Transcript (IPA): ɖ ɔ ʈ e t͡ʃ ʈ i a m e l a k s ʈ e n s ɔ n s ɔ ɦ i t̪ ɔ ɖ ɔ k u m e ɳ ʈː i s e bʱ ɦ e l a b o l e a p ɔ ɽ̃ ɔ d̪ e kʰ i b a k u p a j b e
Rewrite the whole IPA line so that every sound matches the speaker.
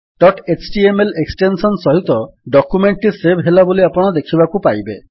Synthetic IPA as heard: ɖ ɔ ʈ e t͡ʃ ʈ i e m e l e k s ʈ e n s ɔ n s ɔ ɦ i t̪ ɔ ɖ ɔ k u m e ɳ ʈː i s e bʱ ɦ e l a b o l i a p ɔ ɽ̃ ɔ d̪ e kʰ i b a k u p a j b e